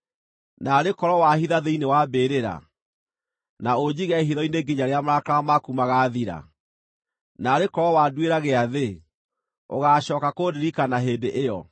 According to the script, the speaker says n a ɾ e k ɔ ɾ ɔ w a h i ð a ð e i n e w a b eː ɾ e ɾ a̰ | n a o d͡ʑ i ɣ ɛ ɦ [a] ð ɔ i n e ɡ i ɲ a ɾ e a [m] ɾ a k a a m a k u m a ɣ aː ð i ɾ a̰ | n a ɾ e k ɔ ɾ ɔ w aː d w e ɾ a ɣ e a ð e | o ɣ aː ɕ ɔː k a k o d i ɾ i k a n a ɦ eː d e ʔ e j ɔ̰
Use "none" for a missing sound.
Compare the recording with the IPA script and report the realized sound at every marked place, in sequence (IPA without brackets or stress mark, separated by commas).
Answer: i, m